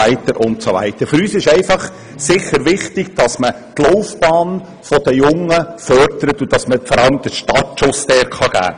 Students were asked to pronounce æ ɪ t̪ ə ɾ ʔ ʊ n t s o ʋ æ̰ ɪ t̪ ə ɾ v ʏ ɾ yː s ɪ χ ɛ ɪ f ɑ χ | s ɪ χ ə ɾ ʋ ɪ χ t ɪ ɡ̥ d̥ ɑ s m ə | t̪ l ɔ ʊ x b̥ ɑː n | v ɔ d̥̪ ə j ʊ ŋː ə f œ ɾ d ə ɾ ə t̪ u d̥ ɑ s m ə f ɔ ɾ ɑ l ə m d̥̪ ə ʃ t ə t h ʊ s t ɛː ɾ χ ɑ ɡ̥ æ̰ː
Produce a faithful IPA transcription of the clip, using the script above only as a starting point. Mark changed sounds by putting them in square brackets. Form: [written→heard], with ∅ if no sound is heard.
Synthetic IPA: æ ɪ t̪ ə ɾ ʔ ʊ n t s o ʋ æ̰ ɪ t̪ ə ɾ [v→f] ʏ ɾ yː s ɪ [χ→ʃ] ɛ ɪ f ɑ χ | s ɪ χ ə ɾ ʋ ɪ χ t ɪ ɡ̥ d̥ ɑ s m ə | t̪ l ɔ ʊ [x→f] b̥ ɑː n | [v→f] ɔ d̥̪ ə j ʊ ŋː ə f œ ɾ d ə ɾ ə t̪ u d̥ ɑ s m ə f ɔ ɾ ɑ l ə m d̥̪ ə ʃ t [ə→ɑ] t [h→ʃ] ʊ s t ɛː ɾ χ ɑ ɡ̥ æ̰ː